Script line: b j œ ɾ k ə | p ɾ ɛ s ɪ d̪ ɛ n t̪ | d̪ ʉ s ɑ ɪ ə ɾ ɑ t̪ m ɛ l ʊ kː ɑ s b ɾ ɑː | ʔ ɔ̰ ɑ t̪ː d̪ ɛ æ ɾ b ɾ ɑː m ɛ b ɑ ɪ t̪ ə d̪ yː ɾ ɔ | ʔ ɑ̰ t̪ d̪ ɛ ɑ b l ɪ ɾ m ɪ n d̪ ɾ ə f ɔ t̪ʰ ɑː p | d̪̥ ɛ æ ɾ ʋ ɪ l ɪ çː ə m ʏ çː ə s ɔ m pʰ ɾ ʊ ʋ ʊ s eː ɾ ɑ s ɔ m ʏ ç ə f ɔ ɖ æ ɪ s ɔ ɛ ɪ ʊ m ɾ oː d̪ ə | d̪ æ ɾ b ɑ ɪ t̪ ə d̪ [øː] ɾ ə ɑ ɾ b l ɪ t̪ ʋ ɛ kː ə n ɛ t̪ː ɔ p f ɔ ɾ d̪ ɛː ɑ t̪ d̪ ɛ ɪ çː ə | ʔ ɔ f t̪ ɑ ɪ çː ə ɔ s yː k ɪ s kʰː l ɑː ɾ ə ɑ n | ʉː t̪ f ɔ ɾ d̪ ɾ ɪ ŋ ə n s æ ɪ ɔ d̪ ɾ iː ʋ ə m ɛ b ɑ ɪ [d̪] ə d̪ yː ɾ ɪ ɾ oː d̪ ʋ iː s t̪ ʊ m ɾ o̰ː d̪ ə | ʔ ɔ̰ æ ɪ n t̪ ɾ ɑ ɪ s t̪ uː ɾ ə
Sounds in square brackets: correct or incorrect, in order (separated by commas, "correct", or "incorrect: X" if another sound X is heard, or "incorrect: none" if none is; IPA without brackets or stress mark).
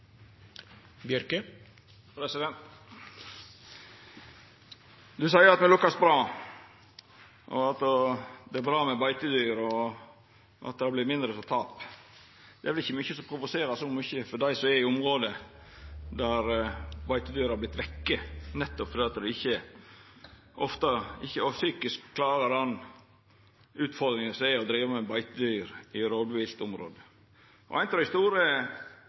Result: incorrect: yː, incorrect: t̪